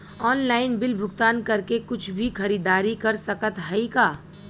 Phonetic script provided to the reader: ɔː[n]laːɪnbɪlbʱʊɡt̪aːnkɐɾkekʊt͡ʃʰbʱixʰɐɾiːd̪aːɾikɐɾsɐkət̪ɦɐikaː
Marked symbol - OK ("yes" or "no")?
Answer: yes